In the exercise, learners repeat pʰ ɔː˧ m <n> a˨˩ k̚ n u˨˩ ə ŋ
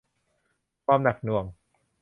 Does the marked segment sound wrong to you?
no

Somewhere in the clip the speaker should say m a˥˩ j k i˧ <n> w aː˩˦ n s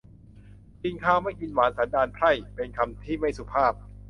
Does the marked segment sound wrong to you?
no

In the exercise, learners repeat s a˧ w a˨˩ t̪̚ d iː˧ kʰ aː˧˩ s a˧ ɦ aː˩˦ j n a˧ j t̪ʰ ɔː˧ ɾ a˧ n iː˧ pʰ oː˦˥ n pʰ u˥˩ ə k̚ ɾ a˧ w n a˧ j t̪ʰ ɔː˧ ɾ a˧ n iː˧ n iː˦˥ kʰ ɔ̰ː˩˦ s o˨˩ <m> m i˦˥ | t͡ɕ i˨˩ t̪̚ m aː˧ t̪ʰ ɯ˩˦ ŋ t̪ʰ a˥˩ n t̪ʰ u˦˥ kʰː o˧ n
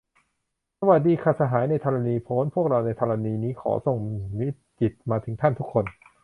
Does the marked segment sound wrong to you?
yes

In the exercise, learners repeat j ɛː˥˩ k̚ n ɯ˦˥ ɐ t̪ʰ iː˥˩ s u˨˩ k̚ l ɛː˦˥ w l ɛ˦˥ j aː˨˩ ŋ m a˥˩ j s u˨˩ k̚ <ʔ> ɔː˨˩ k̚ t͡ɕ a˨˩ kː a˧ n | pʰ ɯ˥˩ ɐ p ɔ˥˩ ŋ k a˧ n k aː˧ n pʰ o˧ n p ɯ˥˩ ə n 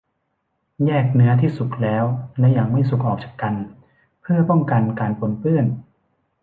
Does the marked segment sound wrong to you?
no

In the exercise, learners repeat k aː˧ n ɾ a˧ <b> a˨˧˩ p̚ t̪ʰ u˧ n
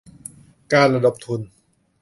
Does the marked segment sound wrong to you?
yes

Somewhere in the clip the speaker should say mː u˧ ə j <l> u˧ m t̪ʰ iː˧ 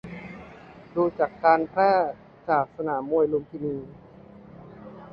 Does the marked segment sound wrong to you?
no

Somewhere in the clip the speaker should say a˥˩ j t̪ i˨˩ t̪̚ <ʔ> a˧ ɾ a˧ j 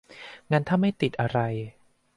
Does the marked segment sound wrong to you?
no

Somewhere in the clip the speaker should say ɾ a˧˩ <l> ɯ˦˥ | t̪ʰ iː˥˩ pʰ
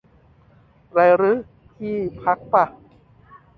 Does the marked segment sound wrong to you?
yes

